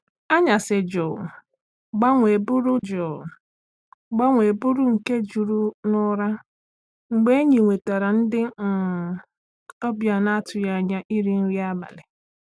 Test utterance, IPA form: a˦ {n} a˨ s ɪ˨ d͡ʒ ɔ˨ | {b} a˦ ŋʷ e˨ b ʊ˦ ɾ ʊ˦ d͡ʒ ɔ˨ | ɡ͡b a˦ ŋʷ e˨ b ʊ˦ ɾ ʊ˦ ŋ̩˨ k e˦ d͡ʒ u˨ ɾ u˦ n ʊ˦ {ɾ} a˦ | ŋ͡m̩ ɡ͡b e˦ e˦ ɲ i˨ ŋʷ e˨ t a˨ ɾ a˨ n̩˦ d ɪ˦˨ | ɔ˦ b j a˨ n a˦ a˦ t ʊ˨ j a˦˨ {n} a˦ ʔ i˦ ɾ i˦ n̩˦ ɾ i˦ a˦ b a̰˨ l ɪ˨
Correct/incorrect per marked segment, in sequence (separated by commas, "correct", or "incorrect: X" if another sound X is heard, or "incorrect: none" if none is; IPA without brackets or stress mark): incorrect: ɲ, incorrect: ɡ͡b, correct, incorrect: ɲ